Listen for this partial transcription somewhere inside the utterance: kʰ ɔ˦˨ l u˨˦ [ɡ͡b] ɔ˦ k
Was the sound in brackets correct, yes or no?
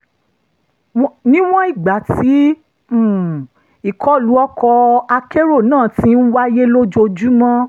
no